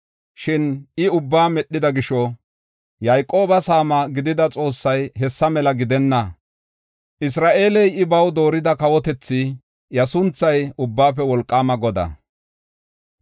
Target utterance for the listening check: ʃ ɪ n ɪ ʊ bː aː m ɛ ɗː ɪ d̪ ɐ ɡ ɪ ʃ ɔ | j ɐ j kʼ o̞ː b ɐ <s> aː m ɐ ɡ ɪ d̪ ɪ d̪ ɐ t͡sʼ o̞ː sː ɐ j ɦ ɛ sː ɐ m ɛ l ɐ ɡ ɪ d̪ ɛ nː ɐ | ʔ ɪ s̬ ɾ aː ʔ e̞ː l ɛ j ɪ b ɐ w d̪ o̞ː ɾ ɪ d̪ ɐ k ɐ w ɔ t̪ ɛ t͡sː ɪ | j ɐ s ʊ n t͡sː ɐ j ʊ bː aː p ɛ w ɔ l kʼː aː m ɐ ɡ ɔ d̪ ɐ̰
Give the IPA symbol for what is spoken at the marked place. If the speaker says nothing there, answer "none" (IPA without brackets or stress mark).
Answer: s